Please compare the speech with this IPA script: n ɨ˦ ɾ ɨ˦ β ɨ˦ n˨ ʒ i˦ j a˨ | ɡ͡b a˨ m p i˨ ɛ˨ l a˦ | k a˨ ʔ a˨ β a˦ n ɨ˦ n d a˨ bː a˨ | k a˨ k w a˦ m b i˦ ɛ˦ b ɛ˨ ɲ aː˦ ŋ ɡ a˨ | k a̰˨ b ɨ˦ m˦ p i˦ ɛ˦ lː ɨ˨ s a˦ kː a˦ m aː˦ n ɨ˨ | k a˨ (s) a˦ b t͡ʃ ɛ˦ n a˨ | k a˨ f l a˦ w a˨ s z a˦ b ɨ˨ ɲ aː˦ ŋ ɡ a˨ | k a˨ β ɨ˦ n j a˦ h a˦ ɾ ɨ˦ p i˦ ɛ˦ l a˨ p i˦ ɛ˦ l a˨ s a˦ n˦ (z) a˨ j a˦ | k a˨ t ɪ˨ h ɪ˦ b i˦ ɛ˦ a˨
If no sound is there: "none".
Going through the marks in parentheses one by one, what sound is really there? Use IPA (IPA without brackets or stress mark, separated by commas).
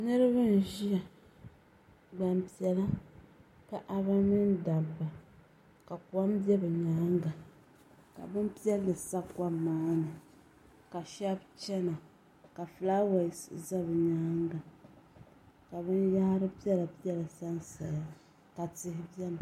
ʃ, s